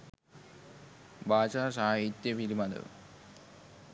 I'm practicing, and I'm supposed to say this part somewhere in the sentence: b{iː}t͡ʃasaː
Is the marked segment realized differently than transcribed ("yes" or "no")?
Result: yes